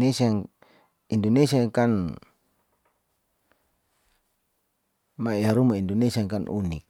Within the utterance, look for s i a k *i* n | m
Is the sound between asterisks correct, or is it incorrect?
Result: incorrect: a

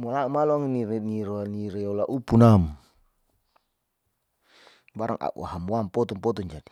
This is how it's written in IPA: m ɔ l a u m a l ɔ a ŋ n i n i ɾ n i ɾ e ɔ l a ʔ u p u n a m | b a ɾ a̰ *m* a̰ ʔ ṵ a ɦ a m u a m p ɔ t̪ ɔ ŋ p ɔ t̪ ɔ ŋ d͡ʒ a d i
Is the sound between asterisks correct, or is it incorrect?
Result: incorrect: ŋ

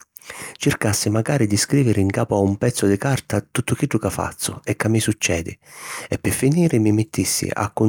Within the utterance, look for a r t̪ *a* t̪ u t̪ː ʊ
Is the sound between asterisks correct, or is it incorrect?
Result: correct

